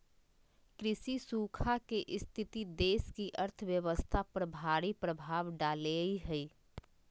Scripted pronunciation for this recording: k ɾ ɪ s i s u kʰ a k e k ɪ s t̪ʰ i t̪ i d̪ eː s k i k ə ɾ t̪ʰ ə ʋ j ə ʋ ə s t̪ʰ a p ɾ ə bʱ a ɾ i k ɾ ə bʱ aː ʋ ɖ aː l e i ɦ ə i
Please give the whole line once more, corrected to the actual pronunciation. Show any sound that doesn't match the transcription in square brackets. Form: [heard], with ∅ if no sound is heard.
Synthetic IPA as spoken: k ɾ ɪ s i s u kʰ a k e [ʔ] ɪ s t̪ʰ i t̪ i d̪ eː s k i [ʔ] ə ɾ t̪ʰ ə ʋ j ə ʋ ə s t̪ʰ a p ɾ ə bʱ a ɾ i [p] ɾ ə bʱ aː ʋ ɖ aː l e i ɦ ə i